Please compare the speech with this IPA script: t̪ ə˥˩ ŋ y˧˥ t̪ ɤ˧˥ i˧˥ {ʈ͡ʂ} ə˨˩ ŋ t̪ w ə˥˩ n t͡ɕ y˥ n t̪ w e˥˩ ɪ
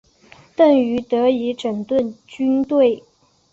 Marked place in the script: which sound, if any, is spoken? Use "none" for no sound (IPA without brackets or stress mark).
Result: ʈ͡ʂ